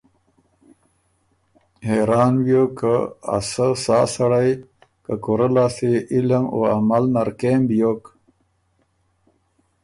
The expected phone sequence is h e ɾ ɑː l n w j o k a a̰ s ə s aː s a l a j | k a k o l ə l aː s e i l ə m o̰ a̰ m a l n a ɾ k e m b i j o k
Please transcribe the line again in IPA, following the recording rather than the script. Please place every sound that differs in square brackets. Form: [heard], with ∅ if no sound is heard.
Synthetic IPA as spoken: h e ɾ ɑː [∅] n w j o k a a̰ s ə s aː s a [ɽ] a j | k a k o [ɾ] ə l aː s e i l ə m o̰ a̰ m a l n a ɾ k e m b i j o k